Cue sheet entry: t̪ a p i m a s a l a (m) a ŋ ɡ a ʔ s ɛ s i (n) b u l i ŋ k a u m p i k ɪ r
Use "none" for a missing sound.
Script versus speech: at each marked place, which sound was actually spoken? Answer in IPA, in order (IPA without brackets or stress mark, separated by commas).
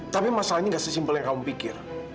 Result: ɲ, m